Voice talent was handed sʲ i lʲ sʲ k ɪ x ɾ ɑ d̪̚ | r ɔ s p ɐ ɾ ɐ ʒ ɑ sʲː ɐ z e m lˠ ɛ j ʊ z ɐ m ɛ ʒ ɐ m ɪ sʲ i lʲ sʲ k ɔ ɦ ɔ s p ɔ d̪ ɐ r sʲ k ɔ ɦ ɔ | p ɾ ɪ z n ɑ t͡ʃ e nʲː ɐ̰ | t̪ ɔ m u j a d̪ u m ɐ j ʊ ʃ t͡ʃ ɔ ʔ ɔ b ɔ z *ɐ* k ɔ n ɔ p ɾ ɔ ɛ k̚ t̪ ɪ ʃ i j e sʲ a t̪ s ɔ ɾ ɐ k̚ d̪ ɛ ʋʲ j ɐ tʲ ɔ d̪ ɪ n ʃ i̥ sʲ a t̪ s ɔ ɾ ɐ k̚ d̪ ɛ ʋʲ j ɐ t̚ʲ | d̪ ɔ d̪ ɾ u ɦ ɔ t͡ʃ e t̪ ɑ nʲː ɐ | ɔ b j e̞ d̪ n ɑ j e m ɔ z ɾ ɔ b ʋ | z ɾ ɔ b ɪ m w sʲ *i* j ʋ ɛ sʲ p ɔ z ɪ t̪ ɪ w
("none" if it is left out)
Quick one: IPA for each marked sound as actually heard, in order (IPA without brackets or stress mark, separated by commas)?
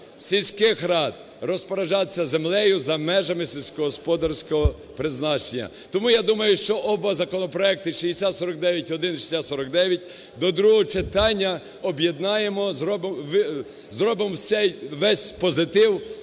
ɐ, ɛ